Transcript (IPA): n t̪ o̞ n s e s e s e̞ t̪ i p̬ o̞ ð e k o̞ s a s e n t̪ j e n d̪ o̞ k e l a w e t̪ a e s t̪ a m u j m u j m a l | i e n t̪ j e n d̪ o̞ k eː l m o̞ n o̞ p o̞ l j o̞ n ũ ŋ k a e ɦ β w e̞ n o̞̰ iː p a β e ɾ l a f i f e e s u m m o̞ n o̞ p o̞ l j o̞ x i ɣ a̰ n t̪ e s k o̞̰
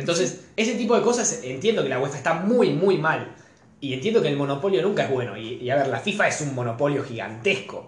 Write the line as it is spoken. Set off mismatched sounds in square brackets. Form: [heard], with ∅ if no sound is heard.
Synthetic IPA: n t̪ o̞ n s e s e s e̞ t̪ i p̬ o̞ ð e k o̞ s a s e n t̪ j e n d̪ o̞ k e l a w e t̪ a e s t̪ a m u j m u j m a l | i e n t̪ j e n d̪ o̞ k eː l m o̞ n o̞ p o̞ l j o̞ n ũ ŋ k a e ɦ β w e̞ n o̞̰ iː [∅] a β e ɾ l a f i f [a] e s u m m o̞ n o̞ p o̞ l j o̞ x i ɣ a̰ n t̪ e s k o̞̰